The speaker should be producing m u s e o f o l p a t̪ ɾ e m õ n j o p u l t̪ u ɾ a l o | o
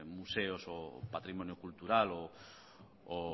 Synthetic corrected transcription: m u s e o s o p a t̪ ɾ i m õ n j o k u l t̪ u ɾ a l o | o